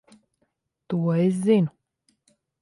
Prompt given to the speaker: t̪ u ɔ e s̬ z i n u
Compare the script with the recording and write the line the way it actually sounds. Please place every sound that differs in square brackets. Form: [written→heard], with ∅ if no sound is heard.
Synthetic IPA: t̪ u ɔ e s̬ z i n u